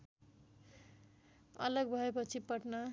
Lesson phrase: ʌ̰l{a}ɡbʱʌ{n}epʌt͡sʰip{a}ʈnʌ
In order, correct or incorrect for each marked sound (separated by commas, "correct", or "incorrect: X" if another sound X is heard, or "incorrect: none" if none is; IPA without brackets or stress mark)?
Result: incorrect: ʌ, incorrect: none, incorrect: ʌ